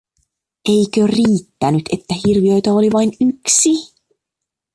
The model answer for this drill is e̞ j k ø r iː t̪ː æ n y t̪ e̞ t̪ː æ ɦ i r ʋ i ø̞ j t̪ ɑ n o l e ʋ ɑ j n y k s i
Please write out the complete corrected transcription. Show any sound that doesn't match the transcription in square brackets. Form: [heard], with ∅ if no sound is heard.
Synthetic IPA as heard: e̞ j k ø r iː t̪ː æ n y t̪ e̞ t̪ː æ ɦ i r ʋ i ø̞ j t̪ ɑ [∅] o l [i] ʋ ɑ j n y k s i